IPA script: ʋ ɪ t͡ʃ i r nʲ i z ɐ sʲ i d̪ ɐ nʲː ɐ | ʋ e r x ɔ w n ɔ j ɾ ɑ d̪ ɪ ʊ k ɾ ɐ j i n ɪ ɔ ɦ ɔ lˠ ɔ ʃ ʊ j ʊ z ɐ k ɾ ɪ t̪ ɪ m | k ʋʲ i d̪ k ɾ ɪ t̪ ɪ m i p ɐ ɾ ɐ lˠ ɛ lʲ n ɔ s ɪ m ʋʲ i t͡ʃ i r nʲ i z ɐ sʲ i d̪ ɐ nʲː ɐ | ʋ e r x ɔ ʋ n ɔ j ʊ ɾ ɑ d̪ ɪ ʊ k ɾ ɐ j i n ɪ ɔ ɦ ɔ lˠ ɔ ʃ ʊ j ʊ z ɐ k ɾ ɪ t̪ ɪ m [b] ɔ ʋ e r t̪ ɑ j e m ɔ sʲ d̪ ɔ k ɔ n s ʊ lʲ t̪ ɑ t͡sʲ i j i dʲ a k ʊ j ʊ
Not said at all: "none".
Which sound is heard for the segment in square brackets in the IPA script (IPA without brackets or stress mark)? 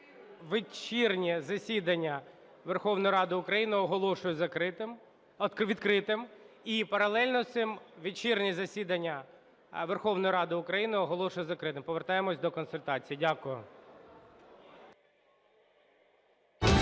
p